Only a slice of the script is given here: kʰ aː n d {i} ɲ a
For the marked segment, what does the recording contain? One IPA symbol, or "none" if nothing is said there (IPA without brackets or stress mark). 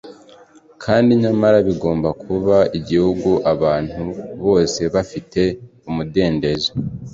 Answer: i